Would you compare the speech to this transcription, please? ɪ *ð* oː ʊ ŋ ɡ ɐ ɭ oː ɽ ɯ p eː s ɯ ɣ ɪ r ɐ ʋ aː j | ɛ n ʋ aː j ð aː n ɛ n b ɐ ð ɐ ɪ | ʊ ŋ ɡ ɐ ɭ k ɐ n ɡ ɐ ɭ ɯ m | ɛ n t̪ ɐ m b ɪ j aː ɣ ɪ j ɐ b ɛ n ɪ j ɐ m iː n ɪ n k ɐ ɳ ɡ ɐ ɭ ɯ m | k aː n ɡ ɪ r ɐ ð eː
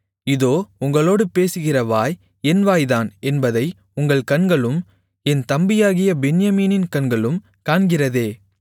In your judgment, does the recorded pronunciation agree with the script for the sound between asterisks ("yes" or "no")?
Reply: yes